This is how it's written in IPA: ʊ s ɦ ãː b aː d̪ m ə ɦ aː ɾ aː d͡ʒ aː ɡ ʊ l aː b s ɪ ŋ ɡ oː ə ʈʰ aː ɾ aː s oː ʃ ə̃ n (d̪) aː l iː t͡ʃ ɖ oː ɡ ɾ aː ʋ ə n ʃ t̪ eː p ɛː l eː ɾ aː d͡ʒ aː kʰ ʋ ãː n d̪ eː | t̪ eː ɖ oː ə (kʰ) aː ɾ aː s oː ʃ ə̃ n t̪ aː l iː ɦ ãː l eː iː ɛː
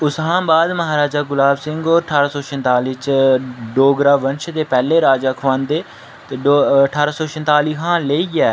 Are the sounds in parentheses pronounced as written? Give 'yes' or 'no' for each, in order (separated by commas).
no, no